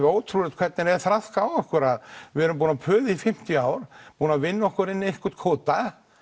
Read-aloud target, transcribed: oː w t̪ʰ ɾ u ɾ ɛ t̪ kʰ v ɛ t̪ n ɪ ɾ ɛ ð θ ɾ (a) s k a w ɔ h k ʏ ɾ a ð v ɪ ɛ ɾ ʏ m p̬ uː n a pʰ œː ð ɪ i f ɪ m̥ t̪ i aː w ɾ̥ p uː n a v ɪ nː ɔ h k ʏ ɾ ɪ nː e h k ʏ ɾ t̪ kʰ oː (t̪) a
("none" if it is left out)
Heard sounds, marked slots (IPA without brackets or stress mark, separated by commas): a, t̪